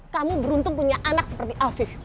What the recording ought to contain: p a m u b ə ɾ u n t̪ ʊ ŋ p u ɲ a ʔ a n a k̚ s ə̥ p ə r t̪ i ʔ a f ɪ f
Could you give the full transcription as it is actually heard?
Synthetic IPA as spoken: k a m u b ə ɾ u n t̪ ʊ ŋ p u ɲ a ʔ a n a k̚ s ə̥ p ə r t̪ i ʔ a f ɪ f